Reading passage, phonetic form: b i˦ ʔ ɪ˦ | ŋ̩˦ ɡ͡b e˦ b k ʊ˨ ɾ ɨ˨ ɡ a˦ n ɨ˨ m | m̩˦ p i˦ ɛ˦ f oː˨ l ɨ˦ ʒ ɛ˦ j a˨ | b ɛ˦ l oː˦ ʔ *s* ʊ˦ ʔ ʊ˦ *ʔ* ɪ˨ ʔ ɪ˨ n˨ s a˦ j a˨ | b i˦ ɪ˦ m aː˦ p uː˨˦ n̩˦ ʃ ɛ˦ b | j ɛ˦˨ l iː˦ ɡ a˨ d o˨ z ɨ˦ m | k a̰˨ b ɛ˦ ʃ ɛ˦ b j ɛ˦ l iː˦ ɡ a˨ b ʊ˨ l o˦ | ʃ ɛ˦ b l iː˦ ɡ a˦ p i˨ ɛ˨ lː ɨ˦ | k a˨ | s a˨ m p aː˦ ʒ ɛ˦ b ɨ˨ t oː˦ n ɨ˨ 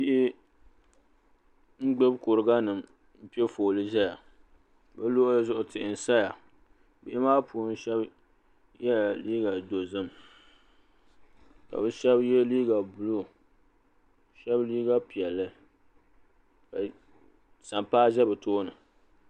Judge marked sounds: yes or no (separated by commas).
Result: no, no